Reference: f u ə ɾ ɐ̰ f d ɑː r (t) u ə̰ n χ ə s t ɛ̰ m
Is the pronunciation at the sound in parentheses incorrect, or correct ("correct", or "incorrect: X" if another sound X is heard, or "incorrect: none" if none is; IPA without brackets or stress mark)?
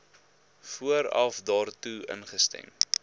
correct